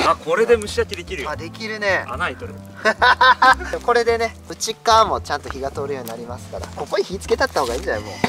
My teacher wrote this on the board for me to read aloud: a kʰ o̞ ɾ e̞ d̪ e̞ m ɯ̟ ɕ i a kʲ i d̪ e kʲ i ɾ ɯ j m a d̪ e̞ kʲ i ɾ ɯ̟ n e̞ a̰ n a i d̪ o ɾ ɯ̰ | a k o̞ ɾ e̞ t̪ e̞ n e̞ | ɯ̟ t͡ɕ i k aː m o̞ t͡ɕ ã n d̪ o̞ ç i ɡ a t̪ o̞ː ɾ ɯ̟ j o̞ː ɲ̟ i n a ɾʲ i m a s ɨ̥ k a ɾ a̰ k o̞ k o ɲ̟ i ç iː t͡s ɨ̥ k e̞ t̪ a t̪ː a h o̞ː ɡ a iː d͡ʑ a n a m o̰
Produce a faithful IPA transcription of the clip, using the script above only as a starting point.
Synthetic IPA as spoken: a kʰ o̞ ɾ e̞ d̪ e̞ m ɯ̟ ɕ i a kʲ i d̪ e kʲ i ɾ ɯ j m a d̪ e̞ kʲ i ɾ ɯ̟ n e̞ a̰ n a i t̪ o ɾ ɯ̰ | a k o̞ ɾ e̞ d̪ e̞ n e̞ | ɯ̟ t͡ɕ i k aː m o̞ t͡ɕ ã n t̪ o̞ ç i ɡ a t̪ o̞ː ɾ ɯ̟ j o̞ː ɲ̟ i n a ɾʲ i m a s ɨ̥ k a ɾ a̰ k o̞ k o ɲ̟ i ç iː t͡s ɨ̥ k e̞ t̪ a t̪ː a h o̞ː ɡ a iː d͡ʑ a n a m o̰